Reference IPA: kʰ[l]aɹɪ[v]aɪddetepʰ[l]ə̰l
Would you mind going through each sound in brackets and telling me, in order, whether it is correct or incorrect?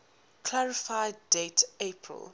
correct, incorrect, incorrect

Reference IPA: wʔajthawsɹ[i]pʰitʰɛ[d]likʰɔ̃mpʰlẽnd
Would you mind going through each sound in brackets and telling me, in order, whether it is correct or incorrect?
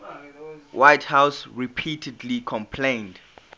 correct, correct

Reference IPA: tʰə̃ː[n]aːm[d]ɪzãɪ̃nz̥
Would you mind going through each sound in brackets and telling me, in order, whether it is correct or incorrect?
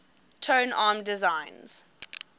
correct, correct

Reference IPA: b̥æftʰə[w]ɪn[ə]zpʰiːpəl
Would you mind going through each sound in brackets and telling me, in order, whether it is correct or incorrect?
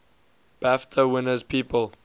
correct, correct

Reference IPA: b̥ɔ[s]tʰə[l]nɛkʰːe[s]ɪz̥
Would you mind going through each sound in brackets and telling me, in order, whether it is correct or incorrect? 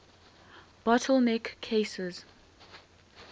incorrect, correct, correct

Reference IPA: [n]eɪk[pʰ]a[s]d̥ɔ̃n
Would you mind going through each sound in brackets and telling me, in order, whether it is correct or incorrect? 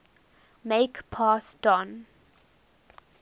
incorrect, correct, correct

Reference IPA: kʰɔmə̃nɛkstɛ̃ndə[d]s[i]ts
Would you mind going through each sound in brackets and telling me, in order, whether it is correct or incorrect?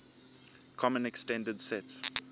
correct, incorrect

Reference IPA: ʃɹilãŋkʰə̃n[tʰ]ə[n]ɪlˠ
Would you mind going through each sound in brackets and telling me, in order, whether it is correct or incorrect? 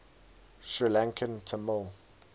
correct, incorrect

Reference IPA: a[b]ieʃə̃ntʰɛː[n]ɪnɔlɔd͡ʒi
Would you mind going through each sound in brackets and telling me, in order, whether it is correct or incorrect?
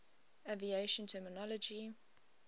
incorrect, incorrect

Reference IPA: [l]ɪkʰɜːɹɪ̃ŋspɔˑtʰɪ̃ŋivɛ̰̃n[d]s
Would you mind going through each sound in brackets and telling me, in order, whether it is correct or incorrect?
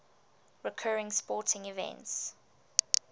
incorrect, incorrect

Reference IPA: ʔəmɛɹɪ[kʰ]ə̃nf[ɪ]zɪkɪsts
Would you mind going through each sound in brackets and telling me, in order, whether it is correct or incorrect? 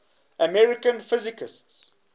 incorrect, correct

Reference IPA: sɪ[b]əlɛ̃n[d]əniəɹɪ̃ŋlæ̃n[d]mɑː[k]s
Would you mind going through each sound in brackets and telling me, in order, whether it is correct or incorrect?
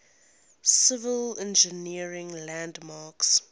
incorrect, incorrect, correct, correct

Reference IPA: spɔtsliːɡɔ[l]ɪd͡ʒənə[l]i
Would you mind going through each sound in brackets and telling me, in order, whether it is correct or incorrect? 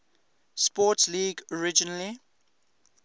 incorrect, correct

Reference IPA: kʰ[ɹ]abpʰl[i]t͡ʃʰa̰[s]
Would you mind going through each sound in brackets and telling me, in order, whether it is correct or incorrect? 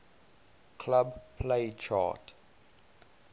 incorrect, incorrect, incorrect

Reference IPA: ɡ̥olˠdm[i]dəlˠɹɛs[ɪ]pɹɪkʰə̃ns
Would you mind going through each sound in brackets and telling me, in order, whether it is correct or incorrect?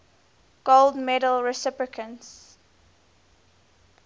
incorrect, correct

